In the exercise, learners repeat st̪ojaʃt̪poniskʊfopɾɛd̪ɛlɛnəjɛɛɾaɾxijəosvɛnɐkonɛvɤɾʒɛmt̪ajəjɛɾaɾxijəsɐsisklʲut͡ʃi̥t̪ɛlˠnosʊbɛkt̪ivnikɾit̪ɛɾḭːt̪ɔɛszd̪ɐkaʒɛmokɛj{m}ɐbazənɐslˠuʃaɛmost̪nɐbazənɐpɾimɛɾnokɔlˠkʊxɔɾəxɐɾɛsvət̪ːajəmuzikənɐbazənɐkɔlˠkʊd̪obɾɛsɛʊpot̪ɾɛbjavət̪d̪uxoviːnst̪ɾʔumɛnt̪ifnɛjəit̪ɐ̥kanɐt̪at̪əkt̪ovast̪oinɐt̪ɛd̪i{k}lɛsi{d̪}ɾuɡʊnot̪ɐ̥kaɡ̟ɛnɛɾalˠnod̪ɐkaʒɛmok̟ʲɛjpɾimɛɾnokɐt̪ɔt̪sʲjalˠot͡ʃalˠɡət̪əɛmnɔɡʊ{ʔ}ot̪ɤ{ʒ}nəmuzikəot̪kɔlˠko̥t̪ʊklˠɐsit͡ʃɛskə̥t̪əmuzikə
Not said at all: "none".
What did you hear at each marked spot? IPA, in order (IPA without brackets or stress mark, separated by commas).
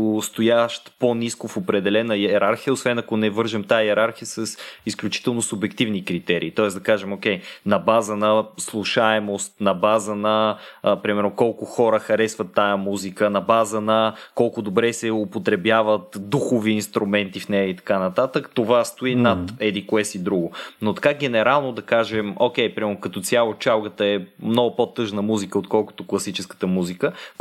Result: n, k, d̪, p, ʒ